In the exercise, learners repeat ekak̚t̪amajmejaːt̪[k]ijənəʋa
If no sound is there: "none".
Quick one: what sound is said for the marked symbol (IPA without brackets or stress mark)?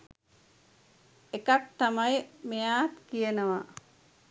k